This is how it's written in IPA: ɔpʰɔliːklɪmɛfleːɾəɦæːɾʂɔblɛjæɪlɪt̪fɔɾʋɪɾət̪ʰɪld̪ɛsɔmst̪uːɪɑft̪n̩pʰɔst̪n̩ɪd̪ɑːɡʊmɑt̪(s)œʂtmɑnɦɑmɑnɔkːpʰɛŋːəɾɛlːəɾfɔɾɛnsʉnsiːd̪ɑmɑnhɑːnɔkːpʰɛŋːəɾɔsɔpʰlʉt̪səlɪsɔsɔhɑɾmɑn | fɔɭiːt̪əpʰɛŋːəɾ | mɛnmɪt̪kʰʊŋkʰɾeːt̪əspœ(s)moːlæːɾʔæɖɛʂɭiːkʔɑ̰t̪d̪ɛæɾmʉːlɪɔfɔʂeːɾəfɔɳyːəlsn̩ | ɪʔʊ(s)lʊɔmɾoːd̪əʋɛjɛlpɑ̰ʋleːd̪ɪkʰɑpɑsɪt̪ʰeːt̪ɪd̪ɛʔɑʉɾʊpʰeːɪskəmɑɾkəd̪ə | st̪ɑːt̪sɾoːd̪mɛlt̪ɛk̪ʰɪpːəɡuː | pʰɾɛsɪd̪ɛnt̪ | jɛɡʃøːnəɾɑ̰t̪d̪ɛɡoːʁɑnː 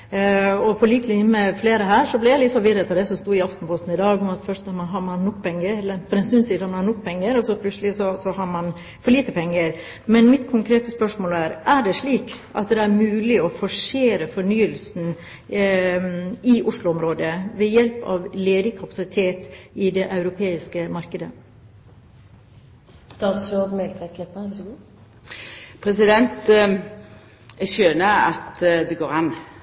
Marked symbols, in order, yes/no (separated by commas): no, no, no